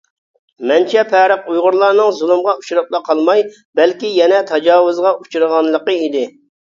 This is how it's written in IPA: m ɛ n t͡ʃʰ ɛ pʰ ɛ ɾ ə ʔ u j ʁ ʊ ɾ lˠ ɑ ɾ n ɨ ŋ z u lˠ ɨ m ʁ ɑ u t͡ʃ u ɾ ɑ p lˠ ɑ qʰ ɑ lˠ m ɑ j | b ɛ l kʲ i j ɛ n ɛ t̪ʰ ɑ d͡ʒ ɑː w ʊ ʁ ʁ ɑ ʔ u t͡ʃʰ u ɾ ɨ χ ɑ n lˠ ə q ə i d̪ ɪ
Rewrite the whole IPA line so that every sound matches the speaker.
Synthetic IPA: m ɛ n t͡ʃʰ ɛ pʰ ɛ ɾ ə q u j ʁ ʊ ɾ lˠ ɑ ɾ n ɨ ŋ z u lˠ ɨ m ʁ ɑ u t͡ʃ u ɾ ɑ p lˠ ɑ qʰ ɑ lˠ m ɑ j | b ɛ l kʲ i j ɛ n ɛ t̪ʰ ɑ d͡ʒ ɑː w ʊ z ʁ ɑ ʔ u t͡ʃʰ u ɾ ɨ ʁ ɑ n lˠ ə q ə i d̪ ɪ